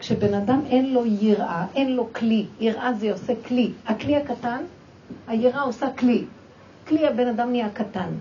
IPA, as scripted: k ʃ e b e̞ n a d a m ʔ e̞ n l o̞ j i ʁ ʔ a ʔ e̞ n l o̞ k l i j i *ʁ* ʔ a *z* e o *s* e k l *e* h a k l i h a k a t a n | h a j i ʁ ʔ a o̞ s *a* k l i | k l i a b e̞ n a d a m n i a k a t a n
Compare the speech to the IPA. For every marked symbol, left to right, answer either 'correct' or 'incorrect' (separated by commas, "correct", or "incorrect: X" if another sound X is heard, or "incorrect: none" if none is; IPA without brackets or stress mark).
correct, correct, correct, incorrect: i, correct